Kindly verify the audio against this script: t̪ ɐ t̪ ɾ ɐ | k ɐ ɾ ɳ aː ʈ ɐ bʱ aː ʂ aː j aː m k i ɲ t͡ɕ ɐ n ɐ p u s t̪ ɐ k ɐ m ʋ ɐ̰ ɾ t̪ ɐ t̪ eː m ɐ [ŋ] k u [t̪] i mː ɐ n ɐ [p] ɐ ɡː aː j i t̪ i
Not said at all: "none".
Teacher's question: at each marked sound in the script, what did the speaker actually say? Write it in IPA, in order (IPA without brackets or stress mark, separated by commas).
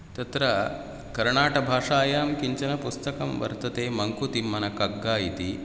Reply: ŋ, t̪, k